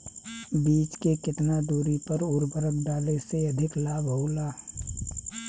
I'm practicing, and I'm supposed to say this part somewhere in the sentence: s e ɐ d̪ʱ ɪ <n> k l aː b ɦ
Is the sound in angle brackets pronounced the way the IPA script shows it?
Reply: no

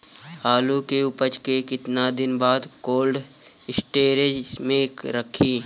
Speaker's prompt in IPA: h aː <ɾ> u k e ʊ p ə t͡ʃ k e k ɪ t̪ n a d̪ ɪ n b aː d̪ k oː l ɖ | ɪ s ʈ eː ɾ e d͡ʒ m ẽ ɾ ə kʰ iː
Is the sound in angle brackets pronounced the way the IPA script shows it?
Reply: no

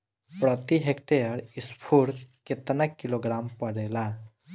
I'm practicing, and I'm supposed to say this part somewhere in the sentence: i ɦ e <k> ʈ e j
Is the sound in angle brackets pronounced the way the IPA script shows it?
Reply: yes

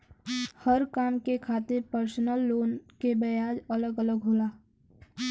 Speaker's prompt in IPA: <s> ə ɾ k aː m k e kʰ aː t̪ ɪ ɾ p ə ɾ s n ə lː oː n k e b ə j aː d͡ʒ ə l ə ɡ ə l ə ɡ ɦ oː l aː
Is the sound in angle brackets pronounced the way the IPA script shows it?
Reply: no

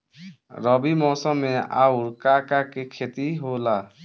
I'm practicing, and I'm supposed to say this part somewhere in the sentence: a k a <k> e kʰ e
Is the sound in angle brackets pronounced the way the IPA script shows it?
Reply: yes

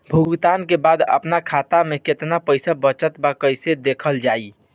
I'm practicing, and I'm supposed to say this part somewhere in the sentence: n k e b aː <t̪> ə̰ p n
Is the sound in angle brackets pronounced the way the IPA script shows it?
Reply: no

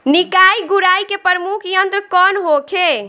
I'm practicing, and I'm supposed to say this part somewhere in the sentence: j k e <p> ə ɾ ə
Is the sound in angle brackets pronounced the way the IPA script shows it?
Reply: yes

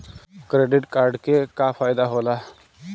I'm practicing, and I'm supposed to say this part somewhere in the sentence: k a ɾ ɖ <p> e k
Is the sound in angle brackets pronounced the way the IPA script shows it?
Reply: no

